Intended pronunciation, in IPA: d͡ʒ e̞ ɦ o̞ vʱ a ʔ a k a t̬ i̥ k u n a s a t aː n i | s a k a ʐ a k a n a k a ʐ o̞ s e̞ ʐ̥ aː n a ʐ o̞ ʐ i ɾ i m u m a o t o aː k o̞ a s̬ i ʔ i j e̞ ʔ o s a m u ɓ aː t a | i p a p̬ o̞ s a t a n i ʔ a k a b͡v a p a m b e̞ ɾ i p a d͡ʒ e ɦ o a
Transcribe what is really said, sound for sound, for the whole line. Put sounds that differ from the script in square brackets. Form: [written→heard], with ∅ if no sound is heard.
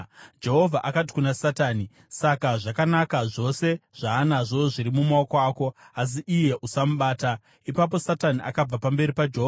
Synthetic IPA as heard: d͡ʒ e̞ ɦ o̞ vʱ a ʔ a k a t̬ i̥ k u n a s a t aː n i | s a k a ʐ a k a n a k a ʐ o̞ s e̞ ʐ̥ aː n a ʐ o̞ ʐ i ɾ i m u m a o [t→k] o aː k o̞ a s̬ i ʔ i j e̞ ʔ [o→u] s a m u ɓ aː t a | i p a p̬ o̞ s a t a n i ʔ a k a b͡v a p a m b e̞ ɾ i p a d͡ʒ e ɦ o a